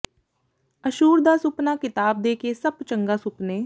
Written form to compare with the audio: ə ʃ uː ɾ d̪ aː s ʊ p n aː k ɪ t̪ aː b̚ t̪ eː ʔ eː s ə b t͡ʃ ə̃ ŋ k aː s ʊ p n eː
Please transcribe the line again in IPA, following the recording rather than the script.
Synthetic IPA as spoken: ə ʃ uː ɾ d̪ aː s ʊ p n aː k ɪ t̪ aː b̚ d̪ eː k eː s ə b t͡ʃ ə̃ ŋ ɡ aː s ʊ p n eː